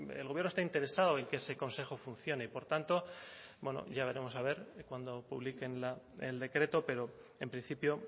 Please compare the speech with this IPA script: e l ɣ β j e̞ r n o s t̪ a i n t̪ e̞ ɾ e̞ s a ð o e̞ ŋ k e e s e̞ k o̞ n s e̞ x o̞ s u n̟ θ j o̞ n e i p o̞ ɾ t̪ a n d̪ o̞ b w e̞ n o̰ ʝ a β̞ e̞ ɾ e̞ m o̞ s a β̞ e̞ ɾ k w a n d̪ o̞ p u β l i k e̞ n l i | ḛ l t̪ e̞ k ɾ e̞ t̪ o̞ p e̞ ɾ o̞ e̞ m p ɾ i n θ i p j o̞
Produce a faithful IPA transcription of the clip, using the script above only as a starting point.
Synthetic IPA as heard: e l ɣ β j e̞ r n o s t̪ a i n t̪ e̞ ɾ e̞ s a ð o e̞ ŋ k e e s e̞ k o̞ n s e̞ x o̞ f u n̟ θ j o̞ n e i p o̞ ɾ t̪ a n t̪ o̞ b w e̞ n o̰ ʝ a β̞ e̞ ɾ e̞ m o̞ s a β̞ e̞ ɾ k w a n d̪ o̞ p u β l i k e̞ n l a | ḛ l d̪ e̞ k ɾ e̞ t̪ o̞ p e̞ ɾ o̞ e̞ m p ɾ i n θ i p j o̞